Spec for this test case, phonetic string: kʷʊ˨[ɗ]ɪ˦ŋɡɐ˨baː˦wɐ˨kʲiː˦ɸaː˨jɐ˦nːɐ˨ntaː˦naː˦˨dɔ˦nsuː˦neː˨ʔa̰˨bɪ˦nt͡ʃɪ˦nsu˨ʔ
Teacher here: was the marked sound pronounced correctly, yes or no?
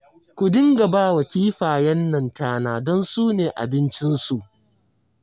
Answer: no